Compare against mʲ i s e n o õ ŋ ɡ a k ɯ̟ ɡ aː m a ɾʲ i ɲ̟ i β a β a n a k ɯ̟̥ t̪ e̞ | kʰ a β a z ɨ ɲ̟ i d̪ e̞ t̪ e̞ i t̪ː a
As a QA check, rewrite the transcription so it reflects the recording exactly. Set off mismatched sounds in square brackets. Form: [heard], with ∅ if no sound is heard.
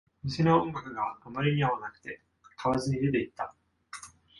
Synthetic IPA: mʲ i s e n o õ ŋ ɡ a k ɯ̟ ɡ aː m a ɾʲ i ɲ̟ i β a β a n a k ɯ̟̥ t̪ e̞ | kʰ a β a z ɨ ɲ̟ i d̪ e̞ t̪ e̞ i t̪ː a